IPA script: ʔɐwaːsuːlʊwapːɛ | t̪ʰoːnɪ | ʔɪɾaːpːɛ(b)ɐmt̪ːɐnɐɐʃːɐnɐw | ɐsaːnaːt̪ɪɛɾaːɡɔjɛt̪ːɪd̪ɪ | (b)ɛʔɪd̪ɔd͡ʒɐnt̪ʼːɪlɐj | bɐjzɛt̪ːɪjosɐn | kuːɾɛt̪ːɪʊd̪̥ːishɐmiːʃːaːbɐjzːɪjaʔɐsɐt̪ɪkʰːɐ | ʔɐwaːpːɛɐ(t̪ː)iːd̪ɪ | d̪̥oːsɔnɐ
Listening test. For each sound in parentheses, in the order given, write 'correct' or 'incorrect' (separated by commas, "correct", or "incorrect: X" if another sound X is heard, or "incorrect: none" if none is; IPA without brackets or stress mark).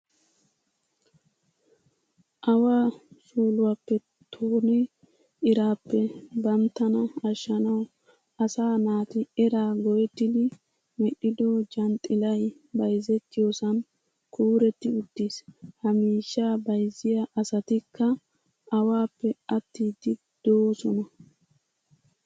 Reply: correct, incorrect: m, correct